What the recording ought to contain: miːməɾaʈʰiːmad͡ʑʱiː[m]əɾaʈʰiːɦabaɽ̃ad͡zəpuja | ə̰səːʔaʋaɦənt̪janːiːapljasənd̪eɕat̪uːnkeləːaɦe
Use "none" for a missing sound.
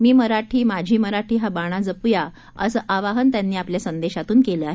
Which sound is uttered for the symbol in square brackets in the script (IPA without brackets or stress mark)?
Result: m